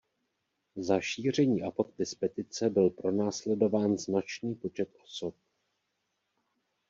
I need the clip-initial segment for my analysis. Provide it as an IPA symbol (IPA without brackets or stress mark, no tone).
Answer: z